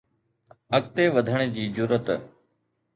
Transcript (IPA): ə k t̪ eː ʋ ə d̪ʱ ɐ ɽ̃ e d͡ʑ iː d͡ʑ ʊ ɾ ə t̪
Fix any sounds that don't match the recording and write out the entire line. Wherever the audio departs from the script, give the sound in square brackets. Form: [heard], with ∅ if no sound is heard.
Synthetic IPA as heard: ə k t̪ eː ʋ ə d̪ʱ [ə] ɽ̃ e d͡ʑ iː d͡ʑ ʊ ɾ ə t̪